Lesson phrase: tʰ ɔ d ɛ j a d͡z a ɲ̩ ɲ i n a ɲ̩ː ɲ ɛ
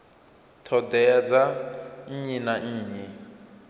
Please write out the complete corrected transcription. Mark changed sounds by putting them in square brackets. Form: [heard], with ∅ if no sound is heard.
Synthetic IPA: tʰ ɔ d ɛ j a d͡z a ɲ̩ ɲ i n a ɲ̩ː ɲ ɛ